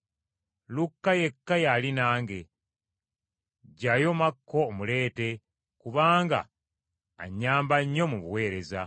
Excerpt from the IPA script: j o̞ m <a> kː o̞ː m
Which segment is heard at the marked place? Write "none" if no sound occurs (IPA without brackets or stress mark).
a